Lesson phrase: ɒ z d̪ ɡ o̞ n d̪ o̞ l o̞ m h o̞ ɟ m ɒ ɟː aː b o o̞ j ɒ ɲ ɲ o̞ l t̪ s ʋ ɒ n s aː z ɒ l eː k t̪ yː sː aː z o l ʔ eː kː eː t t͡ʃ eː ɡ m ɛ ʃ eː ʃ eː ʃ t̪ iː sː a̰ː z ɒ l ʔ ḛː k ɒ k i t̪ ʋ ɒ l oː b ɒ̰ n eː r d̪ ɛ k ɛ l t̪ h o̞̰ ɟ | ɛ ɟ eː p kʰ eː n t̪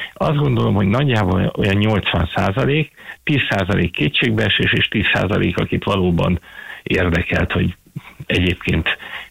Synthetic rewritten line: ɒ z d̪ ɡ o̞ n d̪ o̞ l o̞ m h o̞ ɟ n ɒ ɟː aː b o o̞ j ɒ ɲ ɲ o̞ l t̪ s ʋ ɒ n s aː z ɒ l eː k t̪ iː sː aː z ɒ l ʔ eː kː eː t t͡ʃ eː ɡ b ɛ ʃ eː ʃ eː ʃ t̪ iː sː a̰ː z ɒ l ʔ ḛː k ɒ k i t̪ ʋ ɒ l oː b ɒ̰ n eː r d̪ ɛ k ɛ l t̪ h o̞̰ ɟ | ɛ ɟ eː p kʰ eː n t̪